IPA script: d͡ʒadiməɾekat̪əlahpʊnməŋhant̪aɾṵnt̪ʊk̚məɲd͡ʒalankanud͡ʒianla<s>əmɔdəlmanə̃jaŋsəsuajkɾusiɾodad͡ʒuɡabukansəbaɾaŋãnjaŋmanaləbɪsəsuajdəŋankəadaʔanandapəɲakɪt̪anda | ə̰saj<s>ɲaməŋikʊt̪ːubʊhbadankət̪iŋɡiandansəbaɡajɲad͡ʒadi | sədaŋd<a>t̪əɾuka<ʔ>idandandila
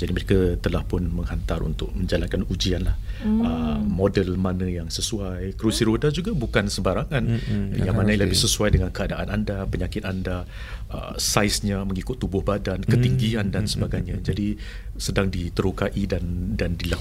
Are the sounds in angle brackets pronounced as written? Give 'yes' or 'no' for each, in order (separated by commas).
no, yes, no, yes